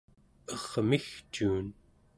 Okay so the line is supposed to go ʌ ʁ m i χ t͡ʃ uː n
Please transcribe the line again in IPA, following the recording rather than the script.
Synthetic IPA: ʌ ʁ m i x t͡ʃ uː n